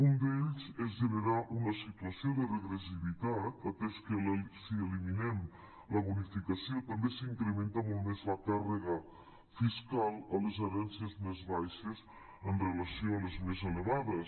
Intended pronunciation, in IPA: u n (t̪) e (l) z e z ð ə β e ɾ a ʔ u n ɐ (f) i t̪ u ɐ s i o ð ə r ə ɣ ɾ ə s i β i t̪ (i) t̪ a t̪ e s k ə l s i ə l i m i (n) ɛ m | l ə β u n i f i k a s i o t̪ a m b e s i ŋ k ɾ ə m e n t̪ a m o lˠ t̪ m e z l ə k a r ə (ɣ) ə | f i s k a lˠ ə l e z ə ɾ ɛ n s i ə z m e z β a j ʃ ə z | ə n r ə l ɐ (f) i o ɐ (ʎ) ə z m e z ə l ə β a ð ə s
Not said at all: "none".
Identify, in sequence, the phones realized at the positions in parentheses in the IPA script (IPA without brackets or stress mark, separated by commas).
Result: d̪, ʎ, s, a, n, ɣ, s, l